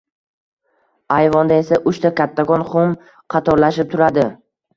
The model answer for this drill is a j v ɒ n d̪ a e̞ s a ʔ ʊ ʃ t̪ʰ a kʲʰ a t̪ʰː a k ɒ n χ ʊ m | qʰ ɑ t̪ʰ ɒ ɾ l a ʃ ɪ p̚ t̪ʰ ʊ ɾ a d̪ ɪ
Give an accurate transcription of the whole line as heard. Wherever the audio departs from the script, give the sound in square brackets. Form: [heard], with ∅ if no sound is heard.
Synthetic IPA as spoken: a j v ɒ n d̪ a e̞ s a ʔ ʊ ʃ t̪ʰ a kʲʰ a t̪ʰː a k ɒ n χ ʊ m | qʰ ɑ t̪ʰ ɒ ɾ l a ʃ ɪ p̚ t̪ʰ ʊ ɾ a d̪ ɪ